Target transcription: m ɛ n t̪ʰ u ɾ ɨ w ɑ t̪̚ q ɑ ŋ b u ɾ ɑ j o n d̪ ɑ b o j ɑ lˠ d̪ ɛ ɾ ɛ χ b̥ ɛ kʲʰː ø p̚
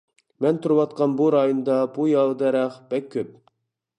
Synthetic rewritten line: m ɛ n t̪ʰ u ɾ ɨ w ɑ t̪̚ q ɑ n b u ɾ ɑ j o n d̪ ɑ b u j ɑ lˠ d̪ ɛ ɾ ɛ χ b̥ ɛ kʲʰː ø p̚